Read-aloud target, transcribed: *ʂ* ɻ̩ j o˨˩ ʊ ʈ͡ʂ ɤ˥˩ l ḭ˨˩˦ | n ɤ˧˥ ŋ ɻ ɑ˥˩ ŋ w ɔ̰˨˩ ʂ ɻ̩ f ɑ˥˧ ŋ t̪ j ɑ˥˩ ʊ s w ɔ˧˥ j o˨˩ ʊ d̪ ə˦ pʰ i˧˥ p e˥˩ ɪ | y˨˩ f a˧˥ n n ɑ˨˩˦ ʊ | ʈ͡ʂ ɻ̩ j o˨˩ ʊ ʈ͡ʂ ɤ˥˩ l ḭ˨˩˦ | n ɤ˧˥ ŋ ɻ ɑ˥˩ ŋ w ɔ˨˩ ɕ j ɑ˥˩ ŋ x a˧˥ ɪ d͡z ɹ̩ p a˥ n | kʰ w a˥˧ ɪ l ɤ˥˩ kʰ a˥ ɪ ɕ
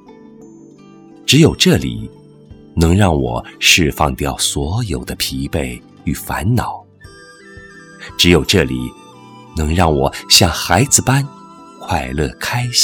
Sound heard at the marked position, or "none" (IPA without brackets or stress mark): ʈ͡ʂ